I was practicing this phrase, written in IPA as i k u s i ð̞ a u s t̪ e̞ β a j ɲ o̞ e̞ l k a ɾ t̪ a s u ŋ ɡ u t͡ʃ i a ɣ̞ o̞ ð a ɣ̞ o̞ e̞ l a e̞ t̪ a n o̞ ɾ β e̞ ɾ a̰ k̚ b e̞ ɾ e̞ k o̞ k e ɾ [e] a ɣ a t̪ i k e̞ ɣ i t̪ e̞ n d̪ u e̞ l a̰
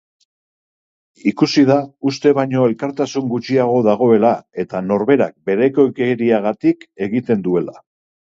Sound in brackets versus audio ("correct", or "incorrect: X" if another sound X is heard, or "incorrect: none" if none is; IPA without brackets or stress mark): incorrect: i